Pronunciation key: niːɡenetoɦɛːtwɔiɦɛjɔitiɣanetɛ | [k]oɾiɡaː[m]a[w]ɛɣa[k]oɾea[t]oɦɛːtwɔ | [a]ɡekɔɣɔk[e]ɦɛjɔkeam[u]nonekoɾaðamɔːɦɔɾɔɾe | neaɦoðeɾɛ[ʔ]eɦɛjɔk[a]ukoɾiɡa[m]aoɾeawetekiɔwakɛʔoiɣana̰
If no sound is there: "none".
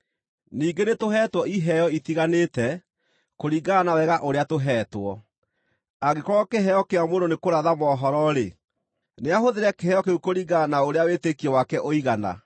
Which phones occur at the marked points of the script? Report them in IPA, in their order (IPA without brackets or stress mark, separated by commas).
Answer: k, n, w, ʔ, t, a, e, o, k, e, n